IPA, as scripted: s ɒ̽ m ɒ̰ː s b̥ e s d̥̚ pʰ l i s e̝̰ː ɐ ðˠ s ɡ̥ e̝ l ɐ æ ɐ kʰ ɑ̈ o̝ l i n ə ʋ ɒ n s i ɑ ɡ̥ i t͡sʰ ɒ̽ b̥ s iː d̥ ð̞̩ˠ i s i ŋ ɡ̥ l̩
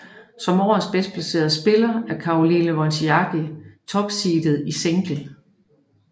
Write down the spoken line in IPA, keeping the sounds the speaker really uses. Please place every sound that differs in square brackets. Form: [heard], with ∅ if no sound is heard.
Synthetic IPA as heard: s ɒ̽ m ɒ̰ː s b̥ e s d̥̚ pʰ l [æ] s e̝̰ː ɐ ðˠ s [b̥] e̝ l ɐ æ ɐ kʰ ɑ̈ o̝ l i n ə ʋ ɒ n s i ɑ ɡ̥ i t͡sʰ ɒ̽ b̥ s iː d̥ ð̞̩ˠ i s [e] ŋ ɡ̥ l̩